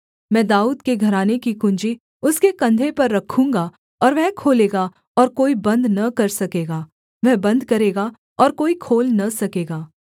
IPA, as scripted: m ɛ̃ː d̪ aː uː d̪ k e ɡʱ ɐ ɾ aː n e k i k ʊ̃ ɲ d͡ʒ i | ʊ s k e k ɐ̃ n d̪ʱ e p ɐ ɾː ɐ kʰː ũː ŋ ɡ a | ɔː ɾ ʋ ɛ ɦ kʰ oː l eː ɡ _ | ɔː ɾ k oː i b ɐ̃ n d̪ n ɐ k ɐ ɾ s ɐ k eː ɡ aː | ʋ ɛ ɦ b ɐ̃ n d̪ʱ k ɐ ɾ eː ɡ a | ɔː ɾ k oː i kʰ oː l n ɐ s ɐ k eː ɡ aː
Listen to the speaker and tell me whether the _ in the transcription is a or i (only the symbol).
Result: a